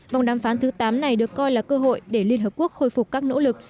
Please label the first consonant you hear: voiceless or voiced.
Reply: voiced